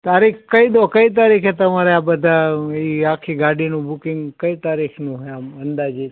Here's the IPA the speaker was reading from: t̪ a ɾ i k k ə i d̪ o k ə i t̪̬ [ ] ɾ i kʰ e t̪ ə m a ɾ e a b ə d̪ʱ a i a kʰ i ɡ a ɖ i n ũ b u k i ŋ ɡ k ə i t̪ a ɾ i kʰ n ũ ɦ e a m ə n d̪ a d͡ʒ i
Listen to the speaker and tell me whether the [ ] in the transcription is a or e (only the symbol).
a